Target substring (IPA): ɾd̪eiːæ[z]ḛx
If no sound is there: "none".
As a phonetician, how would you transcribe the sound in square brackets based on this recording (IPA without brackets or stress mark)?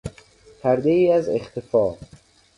z